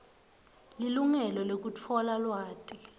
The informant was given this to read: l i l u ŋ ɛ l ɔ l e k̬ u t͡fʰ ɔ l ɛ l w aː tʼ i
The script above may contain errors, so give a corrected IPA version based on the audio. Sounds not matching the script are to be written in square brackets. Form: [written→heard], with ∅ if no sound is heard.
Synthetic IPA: l i l u ŋ ɛ l ɔ l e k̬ u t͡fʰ ɔ l [ɛ→a] l w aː tʼ i